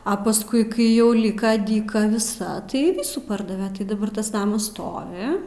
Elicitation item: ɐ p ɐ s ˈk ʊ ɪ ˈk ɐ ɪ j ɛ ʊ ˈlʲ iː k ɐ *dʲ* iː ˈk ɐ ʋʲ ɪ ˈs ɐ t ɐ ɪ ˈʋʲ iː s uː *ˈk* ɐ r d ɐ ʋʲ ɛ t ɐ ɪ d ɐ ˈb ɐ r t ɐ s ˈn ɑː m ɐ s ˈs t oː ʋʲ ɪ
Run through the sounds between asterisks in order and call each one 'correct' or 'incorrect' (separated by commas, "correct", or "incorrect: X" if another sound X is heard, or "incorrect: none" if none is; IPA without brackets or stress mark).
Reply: correct, incorrect: p